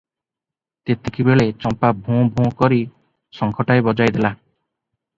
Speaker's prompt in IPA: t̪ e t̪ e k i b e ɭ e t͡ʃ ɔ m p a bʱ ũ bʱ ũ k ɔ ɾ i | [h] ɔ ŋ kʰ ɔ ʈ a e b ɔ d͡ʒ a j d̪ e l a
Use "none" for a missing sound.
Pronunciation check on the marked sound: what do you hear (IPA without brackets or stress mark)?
s